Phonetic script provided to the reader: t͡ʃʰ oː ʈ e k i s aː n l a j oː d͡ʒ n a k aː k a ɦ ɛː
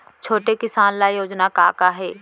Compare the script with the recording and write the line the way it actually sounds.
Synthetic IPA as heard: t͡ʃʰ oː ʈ e k ɪ s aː n l a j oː d͡ʒ n a k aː k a ɦ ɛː